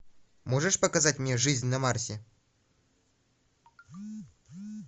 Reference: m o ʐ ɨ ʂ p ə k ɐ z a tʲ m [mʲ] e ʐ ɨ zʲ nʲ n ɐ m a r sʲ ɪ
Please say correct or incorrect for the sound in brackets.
incorrect